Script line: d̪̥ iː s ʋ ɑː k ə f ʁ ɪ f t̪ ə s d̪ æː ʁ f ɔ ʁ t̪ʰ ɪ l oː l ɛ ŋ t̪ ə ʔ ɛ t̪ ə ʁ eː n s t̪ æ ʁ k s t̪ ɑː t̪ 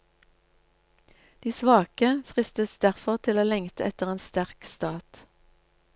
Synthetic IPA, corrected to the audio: d̪̥ iː s ʋ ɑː k ə f ʁ ɪ s t̪ ə s d̪ æ ʁ f ɔ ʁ t̪ʰ ɪ l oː l ɛ ŋ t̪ ə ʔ ɛ t̪ ə ʁ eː n s t̪ æ ʁ k s t̪ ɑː t̪